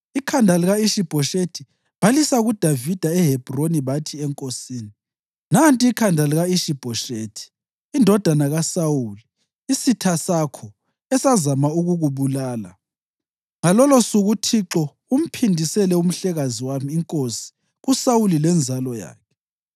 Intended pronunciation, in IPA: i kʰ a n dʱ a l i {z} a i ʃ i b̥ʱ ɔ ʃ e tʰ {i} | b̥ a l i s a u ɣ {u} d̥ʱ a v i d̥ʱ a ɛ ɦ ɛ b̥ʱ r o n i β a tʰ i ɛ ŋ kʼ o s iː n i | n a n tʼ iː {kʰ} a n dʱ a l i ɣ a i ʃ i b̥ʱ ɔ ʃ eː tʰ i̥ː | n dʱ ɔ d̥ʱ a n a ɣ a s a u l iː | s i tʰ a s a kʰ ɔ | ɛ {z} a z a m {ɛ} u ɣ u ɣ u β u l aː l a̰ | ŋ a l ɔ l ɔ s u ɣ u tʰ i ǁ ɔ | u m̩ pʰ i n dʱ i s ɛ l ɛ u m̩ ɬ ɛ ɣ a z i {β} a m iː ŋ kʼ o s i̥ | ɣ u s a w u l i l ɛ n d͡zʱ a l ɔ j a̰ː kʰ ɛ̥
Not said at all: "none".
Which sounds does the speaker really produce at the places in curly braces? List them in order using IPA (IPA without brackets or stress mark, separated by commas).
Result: ɣ, i, u, kʰ, s, a, w